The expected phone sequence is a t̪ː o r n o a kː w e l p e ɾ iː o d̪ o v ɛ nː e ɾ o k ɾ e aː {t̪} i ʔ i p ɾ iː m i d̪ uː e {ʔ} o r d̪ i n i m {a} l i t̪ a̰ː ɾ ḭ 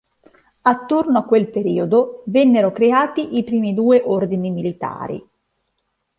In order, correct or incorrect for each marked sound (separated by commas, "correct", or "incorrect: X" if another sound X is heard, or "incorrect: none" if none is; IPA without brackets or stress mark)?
correct, correct, incorrect: i